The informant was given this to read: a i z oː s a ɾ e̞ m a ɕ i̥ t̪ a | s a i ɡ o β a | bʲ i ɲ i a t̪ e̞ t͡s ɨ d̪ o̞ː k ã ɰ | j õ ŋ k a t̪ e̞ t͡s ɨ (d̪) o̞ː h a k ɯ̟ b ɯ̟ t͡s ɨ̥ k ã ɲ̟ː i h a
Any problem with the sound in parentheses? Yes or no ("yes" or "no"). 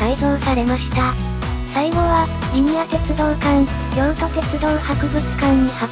no